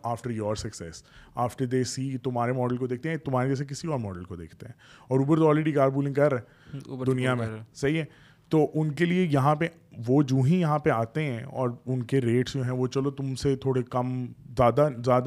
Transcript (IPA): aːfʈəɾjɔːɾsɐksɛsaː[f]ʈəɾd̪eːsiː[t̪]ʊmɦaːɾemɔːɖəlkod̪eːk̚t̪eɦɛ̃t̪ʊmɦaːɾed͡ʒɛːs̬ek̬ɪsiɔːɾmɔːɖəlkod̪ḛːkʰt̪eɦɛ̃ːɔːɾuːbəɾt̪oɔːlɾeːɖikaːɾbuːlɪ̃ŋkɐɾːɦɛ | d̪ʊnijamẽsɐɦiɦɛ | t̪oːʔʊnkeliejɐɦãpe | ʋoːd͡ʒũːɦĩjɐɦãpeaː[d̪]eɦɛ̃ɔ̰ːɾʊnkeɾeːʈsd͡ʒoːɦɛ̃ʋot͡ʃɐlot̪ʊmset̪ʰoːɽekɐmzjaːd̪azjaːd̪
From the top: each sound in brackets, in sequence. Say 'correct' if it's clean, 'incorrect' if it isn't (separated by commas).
correct, correct, incorrect